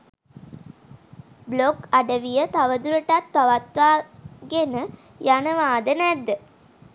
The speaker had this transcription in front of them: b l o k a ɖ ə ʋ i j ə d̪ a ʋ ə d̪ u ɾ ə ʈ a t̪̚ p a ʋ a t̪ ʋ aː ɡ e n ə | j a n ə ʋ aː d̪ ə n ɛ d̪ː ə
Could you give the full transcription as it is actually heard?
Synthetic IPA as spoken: b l o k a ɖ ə ʋ i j ə t̪ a ʋ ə d̪ u ɾ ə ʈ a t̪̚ p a ʋ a t̪ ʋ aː ɡ e n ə | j a n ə ʋ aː d̪ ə n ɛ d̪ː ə